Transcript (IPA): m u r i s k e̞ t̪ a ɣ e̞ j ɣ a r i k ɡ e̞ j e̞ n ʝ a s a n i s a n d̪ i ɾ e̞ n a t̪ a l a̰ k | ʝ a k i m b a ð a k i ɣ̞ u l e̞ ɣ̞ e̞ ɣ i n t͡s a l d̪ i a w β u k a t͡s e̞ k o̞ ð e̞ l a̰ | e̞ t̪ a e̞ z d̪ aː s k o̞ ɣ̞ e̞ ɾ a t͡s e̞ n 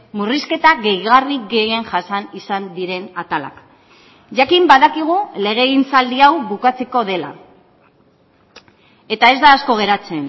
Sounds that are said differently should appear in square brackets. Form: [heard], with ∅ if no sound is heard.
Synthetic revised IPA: m u r i s k e̞ t̪ a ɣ e̞ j ɣ a r i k ɡ e̞ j e̞ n ʝ a s a n i s a n d̪ i ɾ e̞ n a t̪ a l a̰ k | ʝ a k i m b a ð a k i ɣ̞ u l e̞ ɣ̞ e̞ ɣ i n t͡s a l d̪ i a w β u k a t͡s e̞ k o̞ ð e̞ l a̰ | e̞ t̪ a e̞ z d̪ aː s k o̞ ɣ̞ e̞ ɾ a t͡s e̞ n